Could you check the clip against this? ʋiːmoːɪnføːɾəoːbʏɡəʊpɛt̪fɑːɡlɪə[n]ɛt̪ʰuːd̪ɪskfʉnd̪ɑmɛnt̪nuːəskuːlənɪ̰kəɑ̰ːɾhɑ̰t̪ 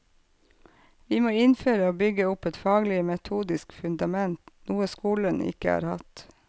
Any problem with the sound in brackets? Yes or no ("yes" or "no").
yes